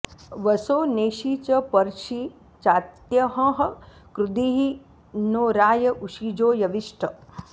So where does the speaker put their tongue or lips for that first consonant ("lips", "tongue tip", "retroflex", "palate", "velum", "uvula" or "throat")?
lips